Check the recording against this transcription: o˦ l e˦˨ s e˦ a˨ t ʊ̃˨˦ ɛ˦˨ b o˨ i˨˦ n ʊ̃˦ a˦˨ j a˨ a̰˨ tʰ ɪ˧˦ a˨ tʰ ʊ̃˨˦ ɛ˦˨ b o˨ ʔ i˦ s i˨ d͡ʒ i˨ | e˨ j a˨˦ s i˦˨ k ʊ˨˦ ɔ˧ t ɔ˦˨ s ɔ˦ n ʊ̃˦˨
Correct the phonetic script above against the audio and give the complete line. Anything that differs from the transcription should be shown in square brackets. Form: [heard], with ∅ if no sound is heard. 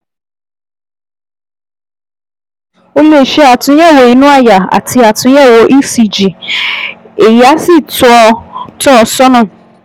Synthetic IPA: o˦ l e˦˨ [ʃ] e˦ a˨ t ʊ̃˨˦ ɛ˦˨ [w] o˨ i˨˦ n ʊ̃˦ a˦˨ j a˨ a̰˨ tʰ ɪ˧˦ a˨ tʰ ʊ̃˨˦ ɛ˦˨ [w] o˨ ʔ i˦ s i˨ d͡ʒ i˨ | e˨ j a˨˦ s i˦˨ [t] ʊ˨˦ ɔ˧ t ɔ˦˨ s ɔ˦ n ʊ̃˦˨